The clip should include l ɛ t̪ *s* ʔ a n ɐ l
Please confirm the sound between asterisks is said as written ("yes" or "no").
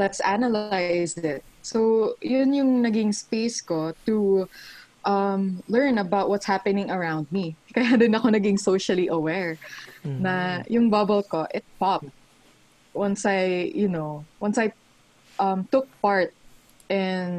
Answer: yes